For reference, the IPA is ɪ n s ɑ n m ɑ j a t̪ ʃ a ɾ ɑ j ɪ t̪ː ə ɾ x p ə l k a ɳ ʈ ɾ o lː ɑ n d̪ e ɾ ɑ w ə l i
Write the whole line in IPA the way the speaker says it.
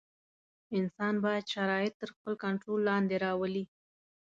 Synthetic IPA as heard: ɪ n s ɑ n b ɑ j a d̪ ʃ a ɾ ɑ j ɪ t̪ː ə ɾ x p ə l k a ɳ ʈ ɾ o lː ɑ n d̪ e ɾ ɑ w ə l i

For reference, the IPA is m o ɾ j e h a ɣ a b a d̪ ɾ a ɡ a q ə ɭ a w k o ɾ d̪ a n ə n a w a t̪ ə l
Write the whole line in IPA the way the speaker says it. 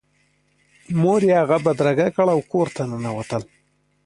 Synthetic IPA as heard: m o ɾ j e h a ɣ a b a d̪ ɾ a ɡ a k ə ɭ a w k o ɾ t̪ a n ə n a w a t̪ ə l

